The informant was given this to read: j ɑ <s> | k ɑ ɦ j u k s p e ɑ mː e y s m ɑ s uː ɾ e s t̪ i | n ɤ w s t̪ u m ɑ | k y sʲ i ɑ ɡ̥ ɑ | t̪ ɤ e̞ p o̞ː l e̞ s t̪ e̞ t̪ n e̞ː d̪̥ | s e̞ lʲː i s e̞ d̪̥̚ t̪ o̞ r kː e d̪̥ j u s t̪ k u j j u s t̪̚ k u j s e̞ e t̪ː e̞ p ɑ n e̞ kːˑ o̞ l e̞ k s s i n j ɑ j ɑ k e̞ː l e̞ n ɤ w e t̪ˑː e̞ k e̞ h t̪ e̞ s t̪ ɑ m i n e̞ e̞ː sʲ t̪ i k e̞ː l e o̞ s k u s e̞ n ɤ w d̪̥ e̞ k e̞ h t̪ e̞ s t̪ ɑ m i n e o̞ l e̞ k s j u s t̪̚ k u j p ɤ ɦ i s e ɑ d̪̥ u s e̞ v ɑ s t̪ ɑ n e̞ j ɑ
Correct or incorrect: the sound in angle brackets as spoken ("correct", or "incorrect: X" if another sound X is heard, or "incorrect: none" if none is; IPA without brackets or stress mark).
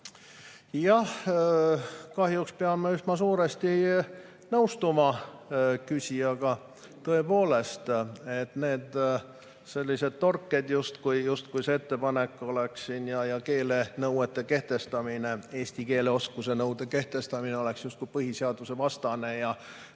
incorrect: h